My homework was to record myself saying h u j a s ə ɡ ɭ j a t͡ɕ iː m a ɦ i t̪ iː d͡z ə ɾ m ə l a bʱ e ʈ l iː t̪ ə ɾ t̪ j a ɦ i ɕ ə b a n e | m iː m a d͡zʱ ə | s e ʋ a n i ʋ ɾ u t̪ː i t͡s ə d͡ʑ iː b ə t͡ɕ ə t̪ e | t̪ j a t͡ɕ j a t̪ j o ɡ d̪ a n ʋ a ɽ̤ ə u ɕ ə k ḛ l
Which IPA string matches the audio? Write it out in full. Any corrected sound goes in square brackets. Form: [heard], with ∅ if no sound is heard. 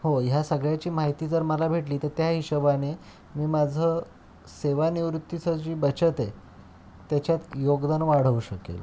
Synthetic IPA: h [o] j a s ə ɡ ɭ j a t͡ɕ iː m a ɦ i t̪ iː d͡z ə ɾ m ə l a bʱ e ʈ l iː t̪ ə ɾ t̪ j a ɦ i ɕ ə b a n e | m iː m a d͡zʱ ə | s e ʋ a n i ʋ ɾ u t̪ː i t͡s ə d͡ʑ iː b ə t͡ɕ ə t̪ e | t̪ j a t͡ɕ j a t̪ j o ɡ d̪ a n ʋ a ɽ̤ ə u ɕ ə k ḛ l